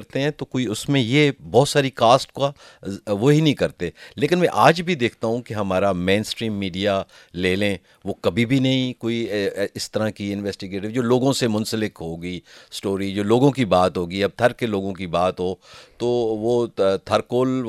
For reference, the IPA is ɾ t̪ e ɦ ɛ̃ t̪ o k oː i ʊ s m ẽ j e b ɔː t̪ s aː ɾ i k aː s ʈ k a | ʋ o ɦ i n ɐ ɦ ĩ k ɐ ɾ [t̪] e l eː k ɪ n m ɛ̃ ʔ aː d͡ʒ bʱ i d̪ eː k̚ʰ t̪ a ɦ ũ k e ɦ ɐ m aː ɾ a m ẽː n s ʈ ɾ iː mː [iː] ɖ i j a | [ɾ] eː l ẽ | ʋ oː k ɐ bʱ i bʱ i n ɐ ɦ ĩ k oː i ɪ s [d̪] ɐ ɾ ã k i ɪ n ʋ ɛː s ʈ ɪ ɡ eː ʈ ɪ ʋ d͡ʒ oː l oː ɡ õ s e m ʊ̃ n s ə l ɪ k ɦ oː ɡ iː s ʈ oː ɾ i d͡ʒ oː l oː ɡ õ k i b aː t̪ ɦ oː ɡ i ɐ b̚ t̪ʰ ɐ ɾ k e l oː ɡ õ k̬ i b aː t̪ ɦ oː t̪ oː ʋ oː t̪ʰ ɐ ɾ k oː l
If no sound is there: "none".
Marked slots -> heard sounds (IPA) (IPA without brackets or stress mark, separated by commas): t̪, iː, l, t̪